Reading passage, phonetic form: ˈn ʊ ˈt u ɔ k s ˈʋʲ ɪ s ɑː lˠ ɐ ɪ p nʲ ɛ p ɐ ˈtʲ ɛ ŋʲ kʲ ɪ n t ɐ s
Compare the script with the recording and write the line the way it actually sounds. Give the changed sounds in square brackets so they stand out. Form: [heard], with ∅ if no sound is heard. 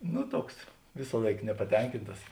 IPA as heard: ˈn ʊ ˈt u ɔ k s ˈʋʲ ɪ s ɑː lˠ ɐ ɪ [k] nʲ ɛ p ɐ ˈtʲ ɛ ŋʲ kʲ ɪ n t ɐ s